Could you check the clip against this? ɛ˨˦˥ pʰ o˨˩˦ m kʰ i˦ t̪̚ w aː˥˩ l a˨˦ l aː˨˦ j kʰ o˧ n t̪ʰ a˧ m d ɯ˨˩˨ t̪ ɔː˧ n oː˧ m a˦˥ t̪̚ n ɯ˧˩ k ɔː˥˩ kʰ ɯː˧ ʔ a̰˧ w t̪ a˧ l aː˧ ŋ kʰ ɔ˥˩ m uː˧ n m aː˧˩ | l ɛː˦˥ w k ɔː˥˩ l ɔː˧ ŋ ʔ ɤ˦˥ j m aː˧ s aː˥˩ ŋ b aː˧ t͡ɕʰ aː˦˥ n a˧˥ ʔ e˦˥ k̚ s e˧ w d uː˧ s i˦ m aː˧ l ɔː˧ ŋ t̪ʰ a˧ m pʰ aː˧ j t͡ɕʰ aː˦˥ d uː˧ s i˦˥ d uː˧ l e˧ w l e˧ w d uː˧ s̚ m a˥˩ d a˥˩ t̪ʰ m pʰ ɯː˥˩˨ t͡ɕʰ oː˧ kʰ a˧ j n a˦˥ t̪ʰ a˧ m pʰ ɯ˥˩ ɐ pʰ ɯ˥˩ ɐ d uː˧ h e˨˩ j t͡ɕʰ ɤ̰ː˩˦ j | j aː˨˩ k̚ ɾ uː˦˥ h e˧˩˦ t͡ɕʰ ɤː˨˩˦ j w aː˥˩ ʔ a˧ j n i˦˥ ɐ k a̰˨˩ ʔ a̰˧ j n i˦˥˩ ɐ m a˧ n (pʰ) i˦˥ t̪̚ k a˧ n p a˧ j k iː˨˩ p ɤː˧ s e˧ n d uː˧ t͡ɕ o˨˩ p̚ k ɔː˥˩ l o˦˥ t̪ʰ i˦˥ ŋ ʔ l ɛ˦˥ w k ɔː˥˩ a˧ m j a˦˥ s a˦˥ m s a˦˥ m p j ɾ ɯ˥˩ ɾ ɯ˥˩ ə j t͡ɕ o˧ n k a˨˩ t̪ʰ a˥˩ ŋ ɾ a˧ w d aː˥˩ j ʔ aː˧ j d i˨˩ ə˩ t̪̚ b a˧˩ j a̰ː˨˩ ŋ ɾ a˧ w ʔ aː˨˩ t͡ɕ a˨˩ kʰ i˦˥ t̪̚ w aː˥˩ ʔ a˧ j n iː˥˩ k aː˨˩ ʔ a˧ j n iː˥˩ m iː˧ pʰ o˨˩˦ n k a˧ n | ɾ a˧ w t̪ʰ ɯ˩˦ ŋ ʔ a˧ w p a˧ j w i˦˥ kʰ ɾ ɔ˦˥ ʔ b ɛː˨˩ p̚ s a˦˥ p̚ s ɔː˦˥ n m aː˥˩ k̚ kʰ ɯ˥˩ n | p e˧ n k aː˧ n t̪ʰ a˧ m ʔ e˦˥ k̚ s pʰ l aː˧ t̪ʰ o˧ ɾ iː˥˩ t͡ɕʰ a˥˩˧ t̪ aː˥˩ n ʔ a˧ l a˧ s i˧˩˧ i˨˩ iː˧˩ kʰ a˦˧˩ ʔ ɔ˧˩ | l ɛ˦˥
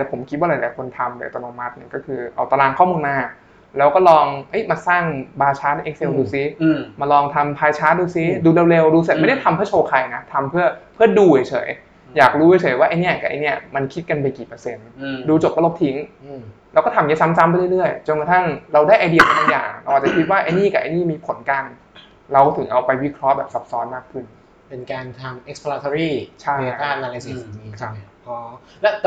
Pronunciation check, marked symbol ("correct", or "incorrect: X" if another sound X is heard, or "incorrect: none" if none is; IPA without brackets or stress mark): incorrect: kʰ